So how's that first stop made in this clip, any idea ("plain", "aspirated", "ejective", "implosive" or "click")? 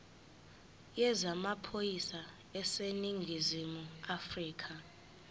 aspirated